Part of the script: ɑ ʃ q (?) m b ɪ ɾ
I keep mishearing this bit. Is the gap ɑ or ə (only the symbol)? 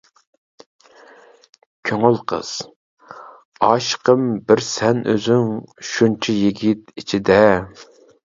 ə